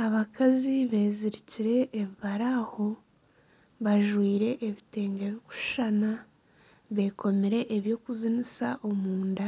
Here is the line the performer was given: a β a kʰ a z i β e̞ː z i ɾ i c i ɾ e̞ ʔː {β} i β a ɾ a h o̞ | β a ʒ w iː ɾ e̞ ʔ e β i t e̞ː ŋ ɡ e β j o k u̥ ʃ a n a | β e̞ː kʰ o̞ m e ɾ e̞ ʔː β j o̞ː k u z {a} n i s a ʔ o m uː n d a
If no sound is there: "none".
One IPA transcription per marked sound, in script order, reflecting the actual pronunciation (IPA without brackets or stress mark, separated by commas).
β, i